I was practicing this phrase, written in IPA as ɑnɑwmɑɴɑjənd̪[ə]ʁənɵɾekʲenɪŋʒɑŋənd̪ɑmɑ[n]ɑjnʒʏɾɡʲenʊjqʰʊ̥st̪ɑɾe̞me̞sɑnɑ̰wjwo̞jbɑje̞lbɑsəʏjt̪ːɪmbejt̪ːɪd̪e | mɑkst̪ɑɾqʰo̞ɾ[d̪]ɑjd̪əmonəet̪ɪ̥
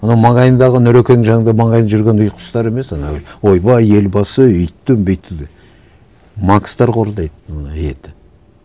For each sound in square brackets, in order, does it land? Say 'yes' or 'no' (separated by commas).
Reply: no, no, yes